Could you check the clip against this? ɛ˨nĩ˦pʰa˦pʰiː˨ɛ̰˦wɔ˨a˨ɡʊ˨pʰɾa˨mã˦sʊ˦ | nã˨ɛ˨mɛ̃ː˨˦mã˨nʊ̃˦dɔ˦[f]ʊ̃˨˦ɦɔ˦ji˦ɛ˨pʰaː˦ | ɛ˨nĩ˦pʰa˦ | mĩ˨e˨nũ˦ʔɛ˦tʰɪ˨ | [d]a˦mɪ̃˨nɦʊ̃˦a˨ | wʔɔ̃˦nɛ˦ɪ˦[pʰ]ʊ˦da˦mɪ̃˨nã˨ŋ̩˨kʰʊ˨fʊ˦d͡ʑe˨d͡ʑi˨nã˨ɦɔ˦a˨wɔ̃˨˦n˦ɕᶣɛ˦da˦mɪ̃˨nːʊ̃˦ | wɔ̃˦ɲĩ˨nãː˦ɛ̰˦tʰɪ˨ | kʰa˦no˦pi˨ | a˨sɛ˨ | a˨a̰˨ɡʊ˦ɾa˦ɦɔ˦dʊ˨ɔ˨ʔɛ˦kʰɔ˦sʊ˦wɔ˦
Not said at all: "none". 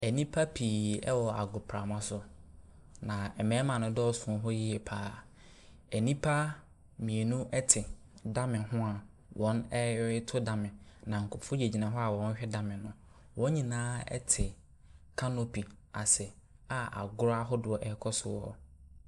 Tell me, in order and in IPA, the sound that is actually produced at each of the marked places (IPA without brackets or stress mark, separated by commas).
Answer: s, d, tʰ